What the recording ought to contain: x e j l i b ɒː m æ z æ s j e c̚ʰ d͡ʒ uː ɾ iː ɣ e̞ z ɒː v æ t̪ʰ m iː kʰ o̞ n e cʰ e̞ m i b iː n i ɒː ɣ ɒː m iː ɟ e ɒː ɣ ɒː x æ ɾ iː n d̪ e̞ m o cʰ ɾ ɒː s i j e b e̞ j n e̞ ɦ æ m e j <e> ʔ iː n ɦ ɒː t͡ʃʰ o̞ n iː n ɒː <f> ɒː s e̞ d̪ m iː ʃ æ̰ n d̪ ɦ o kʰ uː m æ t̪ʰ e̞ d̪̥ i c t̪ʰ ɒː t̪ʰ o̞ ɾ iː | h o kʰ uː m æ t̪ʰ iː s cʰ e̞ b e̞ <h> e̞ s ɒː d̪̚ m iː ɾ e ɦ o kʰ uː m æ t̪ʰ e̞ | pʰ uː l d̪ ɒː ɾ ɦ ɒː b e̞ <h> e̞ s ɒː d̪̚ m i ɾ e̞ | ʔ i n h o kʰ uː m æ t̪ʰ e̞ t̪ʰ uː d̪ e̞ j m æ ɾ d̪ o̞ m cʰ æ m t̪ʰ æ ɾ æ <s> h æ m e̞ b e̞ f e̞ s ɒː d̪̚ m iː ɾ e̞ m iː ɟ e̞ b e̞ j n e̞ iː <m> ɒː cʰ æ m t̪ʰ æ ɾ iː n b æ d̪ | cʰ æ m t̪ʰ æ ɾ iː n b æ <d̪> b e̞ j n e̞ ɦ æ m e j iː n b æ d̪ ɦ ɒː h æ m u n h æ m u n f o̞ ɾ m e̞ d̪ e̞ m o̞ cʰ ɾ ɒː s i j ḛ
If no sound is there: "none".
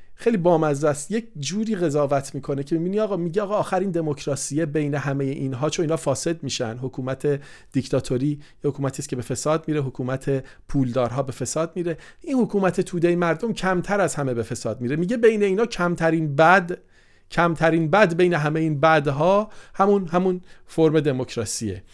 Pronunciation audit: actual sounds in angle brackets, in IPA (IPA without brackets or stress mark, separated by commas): e, f, f, f, z, n, d̪